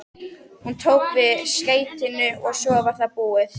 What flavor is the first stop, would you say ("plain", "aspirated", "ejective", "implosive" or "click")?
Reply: aspirated